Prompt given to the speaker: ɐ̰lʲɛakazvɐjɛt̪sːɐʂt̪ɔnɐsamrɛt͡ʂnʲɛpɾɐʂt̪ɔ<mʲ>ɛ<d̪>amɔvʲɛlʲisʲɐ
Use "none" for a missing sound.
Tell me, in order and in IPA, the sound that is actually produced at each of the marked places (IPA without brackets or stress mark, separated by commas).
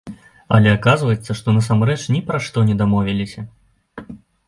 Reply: nʲ, d̪